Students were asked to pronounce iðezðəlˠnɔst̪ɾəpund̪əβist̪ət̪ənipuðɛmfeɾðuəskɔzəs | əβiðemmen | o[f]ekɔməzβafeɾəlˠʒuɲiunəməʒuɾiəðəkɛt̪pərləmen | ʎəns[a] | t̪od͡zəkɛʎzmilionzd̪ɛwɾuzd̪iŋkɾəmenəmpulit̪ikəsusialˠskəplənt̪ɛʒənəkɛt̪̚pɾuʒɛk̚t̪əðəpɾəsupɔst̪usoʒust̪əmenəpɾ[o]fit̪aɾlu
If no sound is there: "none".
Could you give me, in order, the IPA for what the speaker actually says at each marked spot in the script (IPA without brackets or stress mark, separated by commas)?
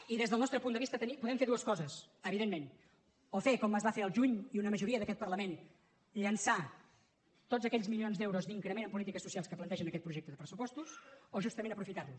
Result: f, a, u